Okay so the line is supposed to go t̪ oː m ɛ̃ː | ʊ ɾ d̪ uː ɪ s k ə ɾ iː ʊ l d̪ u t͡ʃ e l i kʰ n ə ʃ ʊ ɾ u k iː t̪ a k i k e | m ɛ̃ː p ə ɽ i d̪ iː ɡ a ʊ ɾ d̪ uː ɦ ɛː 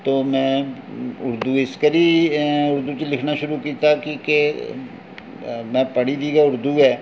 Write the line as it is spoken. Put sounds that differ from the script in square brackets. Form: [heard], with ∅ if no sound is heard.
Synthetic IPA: t̪ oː m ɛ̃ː | ʊ ɾ d̪ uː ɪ s k ə ɾ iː ʊ [ɾ] d̪ u t͡ʃ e l [ɪ] kʰ n [a] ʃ ʊ ɾ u k iː t̪ a k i k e | m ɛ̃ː p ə ɽ i d̪ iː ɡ a ʊ ɾ d̪ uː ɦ ɛː